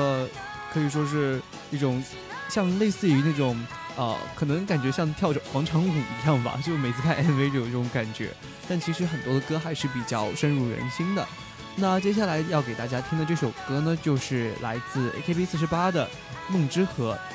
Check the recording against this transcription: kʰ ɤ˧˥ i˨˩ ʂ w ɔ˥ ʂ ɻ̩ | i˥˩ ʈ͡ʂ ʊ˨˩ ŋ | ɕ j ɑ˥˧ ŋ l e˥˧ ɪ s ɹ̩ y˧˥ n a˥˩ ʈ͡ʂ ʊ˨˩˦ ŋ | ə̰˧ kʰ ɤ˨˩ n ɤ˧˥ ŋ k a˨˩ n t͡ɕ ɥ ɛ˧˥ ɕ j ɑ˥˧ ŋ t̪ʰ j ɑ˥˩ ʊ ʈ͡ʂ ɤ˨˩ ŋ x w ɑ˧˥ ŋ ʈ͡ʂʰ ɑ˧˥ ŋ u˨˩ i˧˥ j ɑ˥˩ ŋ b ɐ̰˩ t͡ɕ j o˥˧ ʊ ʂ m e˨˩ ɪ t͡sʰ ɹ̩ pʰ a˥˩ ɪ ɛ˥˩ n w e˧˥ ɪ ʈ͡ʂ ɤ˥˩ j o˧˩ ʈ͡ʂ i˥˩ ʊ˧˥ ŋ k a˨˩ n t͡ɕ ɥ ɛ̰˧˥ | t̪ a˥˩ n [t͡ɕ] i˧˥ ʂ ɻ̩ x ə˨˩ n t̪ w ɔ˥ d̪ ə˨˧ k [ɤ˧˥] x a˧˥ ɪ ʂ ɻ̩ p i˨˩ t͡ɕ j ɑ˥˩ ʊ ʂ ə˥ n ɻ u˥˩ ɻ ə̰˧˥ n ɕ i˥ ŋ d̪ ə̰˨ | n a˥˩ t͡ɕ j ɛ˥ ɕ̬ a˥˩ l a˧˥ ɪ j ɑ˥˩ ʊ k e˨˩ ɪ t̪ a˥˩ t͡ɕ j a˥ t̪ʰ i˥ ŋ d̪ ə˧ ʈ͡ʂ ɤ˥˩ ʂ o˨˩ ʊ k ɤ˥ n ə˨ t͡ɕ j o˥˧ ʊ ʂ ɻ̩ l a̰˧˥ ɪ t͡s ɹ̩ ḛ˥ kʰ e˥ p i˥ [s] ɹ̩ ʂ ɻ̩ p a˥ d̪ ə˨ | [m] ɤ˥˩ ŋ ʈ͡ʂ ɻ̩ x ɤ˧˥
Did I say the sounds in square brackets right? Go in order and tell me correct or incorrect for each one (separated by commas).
incorrect, incorrect, correct, correct